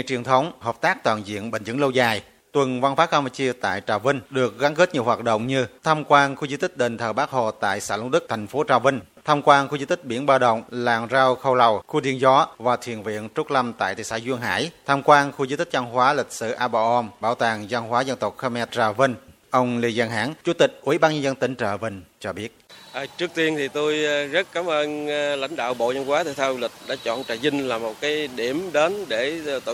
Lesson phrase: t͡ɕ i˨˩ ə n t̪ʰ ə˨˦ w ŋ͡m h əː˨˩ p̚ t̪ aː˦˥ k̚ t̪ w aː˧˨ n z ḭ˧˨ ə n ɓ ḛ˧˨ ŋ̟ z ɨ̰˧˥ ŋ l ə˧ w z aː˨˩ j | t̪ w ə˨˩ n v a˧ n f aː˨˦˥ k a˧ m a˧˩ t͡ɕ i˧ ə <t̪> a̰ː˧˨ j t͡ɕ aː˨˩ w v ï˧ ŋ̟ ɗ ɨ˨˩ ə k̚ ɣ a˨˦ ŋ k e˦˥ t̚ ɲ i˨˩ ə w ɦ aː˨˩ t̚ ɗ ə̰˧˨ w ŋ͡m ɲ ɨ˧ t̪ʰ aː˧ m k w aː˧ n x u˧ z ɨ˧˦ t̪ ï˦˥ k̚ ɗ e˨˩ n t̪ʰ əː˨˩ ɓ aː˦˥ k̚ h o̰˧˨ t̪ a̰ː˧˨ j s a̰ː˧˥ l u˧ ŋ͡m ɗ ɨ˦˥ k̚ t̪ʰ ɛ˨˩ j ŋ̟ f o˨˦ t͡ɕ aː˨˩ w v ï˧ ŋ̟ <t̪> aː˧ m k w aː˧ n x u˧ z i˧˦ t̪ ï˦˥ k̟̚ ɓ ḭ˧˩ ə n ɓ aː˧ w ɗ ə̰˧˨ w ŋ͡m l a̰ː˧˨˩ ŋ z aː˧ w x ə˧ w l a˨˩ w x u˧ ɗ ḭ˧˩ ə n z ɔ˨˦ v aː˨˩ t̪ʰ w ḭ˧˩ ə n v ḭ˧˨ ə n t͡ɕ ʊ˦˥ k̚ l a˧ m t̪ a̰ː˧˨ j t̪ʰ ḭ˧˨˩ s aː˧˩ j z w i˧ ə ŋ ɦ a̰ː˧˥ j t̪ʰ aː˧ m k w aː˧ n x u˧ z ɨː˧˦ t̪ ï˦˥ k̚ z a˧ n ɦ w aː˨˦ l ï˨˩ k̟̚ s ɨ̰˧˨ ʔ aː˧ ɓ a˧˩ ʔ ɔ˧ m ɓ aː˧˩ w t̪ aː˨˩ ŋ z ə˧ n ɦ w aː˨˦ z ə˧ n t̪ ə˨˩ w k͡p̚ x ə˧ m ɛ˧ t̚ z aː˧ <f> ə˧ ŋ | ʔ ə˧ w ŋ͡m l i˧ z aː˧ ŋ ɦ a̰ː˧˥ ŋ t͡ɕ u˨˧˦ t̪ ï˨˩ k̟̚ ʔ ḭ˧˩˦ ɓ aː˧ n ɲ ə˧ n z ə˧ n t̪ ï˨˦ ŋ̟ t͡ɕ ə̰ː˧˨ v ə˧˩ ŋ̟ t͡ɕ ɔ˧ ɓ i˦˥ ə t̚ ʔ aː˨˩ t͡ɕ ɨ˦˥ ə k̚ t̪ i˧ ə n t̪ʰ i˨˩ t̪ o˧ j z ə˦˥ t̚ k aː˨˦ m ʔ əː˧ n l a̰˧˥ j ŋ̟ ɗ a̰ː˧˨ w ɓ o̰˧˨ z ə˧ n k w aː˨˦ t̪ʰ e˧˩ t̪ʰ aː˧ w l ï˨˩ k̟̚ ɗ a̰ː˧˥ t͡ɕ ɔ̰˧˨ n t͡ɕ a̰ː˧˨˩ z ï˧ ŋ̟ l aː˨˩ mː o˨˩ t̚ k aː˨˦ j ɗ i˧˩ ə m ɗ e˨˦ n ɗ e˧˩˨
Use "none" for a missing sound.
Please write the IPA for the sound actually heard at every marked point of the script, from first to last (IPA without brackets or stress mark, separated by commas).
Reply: t̪, t̪ʰ, v